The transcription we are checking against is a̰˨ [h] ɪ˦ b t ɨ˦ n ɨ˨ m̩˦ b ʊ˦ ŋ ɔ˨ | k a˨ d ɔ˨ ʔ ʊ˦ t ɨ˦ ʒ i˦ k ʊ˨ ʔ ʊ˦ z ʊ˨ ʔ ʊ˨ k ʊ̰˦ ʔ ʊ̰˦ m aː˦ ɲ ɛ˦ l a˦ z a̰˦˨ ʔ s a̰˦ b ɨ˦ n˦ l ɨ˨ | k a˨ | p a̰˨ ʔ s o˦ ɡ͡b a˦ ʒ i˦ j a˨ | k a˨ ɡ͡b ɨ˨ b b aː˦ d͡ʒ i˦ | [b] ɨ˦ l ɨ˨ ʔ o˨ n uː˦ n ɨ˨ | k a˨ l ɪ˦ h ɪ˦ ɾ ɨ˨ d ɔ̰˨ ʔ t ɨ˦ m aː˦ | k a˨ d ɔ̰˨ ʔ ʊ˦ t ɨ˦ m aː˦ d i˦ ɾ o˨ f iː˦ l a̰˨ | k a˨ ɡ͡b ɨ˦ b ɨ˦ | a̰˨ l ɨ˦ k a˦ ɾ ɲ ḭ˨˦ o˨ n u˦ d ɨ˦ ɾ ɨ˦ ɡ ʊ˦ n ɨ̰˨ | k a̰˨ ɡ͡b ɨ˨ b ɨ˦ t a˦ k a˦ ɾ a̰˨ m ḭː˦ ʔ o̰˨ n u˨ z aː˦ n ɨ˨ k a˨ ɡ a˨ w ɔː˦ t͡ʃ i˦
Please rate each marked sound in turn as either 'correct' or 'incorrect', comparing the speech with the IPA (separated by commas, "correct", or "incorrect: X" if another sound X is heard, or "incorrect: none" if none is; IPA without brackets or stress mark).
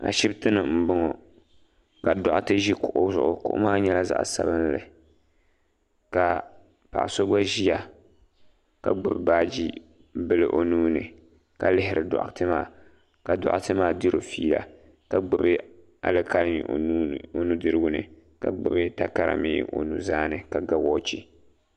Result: incorrect: ʃ, correct